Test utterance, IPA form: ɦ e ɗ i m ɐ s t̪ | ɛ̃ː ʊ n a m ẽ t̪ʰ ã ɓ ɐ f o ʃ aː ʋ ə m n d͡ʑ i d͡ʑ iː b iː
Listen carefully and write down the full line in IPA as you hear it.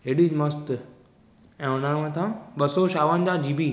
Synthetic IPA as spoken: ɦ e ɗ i m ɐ s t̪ | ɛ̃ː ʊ n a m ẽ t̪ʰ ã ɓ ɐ s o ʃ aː ʋ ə n d͡ʑ a d͡ʑ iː b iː